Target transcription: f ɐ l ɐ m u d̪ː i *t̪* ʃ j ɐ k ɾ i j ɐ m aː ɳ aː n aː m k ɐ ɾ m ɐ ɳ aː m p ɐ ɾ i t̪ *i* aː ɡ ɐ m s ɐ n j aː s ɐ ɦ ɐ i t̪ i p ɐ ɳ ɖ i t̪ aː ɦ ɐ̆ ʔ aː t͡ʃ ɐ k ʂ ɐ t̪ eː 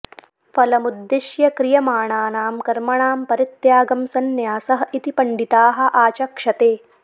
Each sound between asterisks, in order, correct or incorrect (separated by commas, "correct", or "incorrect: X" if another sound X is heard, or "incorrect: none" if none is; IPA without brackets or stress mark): incorrect: none, incorrect: j